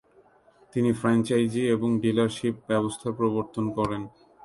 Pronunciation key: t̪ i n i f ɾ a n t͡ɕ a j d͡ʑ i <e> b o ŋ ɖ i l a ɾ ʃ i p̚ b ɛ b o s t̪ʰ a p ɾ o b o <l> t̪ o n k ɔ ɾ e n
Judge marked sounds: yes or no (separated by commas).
yes, no